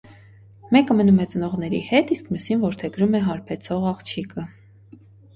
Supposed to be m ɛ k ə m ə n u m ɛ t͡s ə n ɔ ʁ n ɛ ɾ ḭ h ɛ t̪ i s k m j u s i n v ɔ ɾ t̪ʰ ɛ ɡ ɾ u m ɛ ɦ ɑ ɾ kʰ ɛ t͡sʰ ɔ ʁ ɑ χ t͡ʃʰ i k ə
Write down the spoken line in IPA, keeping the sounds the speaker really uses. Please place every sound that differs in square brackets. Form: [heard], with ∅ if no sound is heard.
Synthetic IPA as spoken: m ɛ k ə m ə n u m ɛ t͡s ə n ɔ ʁ n ɛ ɾ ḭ h ɛ t̪ i s k m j u s i n v ɔ ɾ t̪ʰ ɛ ɡ ɾ u m ɛ ɦ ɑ ɾ [pʰ] ɛ t͡sʰ ɔ ʁ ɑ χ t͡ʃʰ i k ə